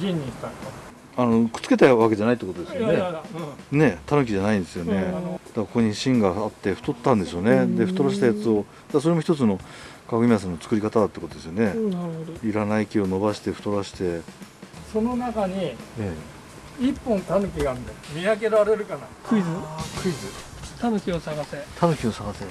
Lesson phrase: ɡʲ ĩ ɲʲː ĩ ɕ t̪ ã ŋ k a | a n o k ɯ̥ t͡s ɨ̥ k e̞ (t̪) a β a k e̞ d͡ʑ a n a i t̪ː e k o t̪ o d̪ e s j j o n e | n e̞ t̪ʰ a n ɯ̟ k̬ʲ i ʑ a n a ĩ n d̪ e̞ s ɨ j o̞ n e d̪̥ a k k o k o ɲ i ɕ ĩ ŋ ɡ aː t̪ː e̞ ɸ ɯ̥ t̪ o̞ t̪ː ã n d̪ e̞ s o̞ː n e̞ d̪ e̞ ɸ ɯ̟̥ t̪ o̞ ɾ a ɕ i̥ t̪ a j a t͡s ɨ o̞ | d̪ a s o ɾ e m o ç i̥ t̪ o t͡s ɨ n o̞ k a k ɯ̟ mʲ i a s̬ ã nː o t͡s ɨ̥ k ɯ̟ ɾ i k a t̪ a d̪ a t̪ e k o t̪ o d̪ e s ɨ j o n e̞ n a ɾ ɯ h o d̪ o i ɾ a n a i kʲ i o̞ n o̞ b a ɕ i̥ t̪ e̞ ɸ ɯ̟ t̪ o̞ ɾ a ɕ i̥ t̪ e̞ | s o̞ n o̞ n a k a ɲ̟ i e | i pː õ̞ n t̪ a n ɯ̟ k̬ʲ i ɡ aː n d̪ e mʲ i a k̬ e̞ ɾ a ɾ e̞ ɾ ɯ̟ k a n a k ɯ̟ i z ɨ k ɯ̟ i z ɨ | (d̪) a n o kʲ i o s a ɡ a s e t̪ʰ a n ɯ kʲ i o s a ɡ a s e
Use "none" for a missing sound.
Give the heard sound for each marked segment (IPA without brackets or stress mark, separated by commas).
t̪, t̪